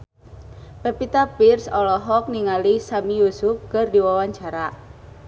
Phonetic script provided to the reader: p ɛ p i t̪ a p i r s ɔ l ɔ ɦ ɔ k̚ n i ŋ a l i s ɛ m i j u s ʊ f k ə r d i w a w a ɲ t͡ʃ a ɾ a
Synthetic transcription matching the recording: p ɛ p i t̪ a p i r s ɔ l ɔ ɦ ɔ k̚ n i ŋ a l i s a m i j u s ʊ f k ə r d i w a w a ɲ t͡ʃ a ɾ a